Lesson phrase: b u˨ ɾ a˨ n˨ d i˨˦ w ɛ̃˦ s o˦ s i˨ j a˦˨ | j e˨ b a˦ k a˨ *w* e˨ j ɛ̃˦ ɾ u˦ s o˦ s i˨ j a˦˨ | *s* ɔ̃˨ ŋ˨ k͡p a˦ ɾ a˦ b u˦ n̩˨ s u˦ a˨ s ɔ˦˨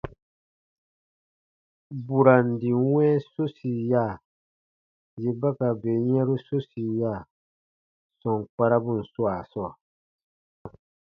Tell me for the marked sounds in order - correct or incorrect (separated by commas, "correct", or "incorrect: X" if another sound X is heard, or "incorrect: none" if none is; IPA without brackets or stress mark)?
incorrect: b, correct